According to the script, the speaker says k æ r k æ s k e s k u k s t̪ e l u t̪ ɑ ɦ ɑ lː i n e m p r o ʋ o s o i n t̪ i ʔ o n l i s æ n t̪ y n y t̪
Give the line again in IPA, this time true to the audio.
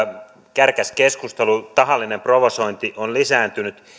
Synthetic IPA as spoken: k æ r k æ s k e s k u s t̪ e l u t̪ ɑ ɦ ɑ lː i n e m p r o ʋ o s o i n t̪ i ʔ o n l i s æː n t̪ y n y t̪